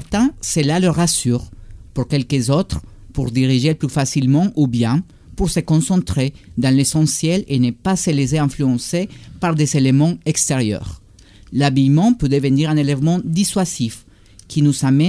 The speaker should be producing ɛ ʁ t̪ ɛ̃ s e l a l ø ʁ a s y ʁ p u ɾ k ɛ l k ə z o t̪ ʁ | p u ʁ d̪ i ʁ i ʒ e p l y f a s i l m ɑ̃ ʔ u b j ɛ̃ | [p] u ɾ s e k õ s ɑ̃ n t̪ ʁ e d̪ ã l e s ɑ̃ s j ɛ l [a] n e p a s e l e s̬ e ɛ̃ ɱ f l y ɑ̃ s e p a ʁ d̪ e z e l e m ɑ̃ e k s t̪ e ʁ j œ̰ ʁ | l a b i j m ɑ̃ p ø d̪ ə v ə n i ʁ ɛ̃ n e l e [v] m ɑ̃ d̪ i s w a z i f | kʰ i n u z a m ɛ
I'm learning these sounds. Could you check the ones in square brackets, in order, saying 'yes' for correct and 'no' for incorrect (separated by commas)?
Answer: yes, no, yes